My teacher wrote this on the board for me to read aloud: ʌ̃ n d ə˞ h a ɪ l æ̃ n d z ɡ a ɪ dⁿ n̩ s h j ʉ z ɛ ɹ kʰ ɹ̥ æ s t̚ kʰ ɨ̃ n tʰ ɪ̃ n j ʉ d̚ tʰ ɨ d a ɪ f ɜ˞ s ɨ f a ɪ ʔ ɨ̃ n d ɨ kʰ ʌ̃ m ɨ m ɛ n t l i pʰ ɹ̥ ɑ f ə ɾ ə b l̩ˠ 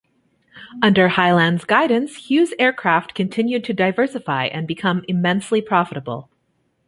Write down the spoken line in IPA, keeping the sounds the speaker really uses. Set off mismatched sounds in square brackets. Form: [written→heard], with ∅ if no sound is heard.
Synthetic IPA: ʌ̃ n d ə˞ h a ɪ l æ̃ n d z ɡ a ɪ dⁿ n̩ s h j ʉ z ɛ ɹ kʰ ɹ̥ æ [s→f] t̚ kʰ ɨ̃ n tʰ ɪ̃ n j ʉ d̚ tʰ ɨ d a ɪ [f→v] ɜ˞ s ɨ f a ɪ ʔ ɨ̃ n [d→b] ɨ kʰ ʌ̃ m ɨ m [ɛ→ɛ̃] n [t→s] l i pʰ ɹ̥ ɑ f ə ɾ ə b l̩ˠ